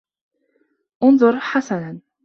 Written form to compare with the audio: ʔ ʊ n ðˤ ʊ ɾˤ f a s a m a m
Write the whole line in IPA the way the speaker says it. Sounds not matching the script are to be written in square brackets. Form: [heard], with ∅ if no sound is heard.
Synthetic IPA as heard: ʔ ʊ n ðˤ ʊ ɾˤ [ħ] a s a [n] a [n]